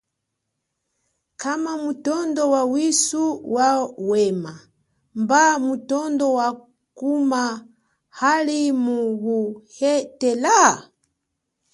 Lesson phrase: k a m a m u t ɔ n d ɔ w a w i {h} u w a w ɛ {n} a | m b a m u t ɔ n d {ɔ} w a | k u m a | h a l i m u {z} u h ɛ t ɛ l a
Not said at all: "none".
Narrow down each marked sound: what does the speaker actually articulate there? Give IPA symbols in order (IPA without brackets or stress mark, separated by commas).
s, m, ɔ, ɣ